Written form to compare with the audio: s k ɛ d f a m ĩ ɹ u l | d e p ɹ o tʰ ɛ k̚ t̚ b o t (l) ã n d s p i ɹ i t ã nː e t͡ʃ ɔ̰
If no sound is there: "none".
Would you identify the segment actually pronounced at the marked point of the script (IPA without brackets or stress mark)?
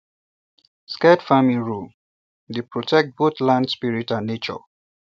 l